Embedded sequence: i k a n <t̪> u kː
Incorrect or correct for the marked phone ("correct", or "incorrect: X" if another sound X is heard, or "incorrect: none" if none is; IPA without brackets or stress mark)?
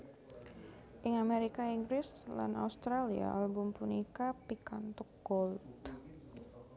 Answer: correct